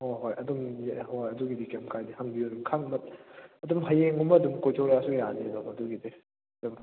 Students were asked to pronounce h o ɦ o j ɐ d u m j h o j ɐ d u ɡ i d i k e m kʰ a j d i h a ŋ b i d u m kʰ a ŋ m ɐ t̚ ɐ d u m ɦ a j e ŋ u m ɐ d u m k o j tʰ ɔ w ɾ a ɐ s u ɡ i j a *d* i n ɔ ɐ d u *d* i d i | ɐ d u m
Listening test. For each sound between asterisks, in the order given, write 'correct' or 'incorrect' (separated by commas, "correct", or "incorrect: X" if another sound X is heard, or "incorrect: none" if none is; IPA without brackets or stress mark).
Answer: incorrect: n, incorrect: ɡ